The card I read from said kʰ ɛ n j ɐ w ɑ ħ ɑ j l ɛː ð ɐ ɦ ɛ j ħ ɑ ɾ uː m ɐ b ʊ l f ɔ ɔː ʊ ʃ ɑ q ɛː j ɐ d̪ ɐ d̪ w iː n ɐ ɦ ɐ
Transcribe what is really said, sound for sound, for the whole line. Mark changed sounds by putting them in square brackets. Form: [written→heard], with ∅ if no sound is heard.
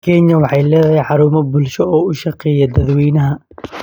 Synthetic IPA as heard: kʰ ɛ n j ɐ w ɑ ħ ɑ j l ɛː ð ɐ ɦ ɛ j ħ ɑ ɾ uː m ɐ b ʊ l [f→ʃ] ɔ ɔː ʊ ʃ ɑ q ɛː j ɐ d̪ ɐ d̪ w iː n ɐ ɦ ɐ